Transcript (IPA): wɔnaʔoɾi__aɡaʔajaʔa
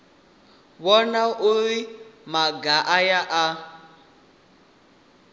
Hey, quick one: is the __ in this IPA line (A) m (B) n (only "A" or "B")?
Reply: A